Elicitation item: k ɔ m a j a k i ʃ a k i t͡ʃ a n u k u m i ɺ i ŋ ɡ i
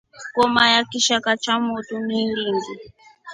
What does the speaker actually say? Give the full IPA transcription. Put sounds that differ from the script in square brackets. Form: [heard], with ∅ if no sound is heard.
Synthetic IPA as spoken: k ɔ m a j a k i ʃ a k [a] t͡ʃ a [m] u [t] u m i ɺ i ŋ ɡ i